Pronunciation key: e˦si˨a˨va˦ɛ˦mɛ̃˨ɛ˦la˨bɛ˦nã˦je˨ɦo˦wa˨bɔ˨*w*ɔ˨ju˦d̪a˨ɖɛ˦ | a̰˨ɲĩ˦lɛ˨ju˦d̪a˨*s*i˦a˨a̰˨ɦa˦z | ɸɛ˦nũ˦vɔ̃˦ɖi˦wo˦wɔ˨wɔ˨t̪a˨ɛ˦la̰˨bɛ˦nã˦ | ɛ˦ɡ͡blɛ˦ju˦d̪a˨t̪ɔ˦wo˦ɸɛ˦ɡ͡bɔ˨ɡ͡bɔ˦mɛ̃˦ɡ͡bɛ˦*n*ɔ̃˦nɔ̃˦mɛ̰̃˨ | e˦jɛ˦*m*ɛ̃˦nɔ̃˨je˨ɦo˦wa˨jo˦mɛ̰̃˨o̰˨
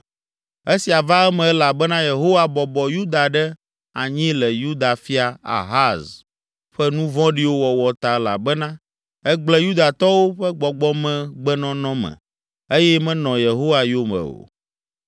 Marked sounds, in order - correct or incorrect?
incorrect, incorrect, correct, correct

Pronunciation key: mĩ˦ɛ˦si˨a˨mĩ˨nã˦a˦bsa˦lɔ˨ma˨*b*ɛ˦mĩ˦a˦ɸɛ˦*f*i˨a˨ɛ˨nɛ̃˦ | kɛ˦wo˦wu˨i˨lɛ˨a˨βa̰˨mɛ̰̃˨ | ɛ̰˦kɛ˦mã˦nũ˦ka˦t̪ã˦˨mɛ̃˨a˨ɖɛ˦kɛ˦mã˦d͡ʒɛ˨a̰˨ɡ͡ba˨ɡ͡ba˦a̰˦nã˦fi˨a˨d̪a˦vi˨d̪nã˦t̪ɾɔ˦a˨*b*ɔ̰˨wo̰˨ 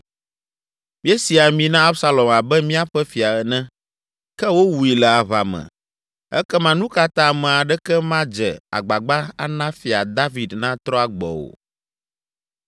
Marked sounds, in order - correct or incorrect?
correct, correct, incorrect

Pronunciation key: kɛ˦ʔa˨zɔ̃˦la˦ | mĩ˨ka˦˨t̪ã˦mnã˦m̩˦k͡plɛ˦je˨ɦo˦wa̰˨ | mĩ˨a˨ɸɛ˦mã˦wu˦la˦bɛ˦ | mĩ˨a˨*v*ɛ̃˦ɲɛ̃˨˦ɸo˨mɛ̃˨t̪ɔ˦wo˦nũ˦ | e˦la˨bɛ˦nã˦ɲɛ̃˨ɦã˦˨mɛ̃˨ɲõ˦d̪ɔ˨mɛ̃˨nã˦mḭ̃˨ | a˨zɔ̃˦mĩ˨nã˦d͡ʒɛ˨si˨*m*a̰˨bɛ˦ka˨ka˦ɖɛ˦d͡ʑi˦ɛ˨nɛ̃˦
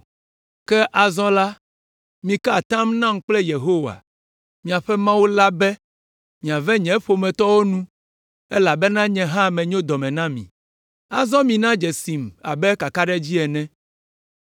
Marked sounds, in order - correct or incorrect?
correct, correct

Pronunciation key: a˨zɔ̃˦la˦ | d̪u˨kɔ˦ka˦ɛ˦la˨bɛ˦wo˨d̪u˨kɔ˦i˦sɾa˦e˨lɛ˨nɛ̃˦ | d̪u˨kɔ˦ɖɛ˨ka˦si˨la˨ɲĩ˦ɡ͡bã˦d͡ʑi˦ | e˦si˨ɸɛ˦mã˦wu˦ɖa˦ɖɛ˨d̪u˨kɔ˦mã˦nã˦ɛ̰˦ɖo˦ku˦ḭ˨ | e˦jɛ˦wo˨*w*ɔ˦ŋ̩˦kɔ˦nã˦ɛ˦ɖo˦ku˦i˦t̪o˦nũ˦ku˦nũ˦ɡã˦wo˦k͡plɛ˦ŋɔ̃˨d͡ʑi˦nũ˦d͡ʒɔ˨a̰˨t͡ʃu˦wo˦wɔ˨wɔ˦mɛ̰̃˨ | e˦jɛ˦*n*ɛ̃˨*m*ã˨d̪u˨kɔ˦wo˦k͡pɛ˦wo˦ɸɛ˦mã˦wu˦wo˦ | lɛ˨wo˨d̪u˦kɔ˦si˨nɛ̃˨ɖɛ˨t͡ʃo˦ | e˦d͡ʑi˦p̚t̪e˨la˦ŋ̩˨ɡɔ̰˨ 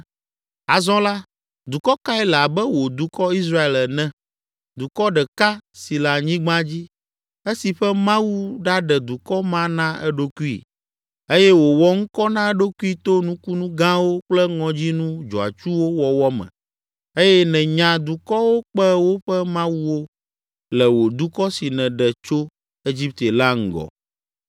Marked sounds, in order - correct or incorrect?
correct, correct, incorrect

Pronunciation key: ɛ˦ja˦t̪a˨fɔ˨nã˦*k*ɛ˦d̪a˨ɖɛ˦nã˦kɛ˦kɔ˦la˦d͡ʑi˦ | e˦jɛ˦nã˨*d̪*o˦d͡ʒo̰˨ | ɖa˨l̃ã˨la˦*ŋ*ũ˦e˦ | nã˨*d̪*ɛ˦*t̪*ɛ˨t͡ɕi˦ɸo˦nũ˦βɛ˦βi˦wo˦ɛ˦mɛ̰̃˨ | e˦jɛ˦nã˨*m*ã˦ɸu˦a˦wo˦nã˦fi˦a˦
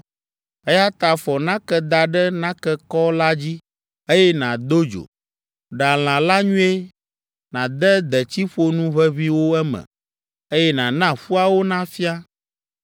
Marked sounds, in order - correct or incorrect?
correct, correct, incorrect, correct, incorrect, incorrect

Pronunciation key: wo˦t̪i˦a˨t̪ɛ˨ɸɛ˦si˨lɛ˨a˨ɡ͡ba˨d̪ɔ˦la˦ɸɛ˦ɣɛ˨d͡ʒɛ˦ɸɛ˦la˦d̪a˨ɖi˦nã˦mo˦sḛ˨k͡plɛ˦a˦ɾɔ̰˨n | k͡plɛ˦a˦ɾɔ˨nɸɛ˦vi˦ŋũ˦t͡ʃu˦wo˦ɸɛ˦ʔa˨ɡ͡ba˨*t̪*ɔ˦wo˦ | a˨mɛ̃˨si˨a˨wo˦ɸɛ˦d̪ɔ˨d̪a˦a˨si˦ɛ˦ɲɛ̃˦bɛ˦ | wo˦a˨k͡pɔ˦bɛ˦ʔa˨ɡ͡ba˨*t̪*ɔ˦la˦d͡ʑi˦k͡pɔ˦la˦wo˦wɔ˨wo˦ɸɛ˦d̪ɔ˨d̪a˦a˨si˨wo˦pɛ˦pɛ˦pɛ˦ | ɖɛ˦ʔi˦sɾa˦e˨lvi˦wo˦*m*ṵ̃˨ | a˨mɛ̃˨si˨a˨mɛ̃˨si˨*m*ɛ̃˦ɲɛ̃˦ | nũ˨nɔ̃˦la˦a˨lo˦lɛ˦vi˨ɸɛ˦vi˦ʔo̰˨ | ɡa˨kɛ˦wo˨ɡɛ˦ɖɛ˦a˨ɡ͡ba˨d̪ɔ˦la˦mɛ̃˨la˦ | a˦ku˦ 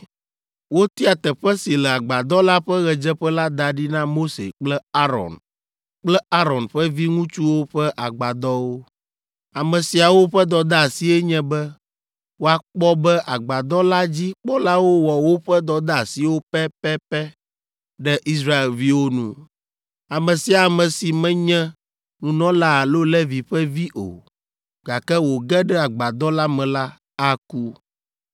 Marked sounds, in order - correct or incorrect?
incorrect, incorrect, incorrect, correct

